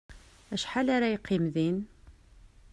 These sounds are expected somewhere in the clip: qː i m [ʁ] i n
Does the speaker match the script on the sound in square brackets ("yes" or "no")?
no